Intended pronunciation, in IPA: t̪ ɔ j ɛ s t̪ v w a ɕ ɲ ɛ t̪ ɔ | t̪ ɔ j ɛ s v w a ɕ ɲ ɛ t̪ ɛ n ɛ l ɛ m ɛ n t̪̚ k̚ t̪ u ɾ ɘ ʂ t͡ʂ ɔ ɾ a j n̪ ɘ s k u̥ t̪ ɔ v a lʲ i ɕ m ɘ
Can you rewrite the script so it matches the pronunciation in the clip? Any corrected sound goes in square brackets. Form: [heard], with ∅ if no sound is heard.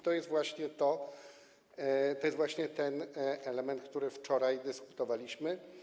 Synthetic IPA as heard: t̪ ɔ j ɛ s t̪ v w a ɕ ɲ ɛ t̪ ɔ | t̪ ɔ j ɛ s v w a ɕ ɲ ɛ t̪ ɛ n ɛ l ɛ m ɛ n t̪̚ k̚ t̪ u ɾ ɘ [f] t͡ʂ ɔ ɾ a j [d̪] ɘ s k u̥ t̪ ɔ v a lʲ i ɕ m ɘ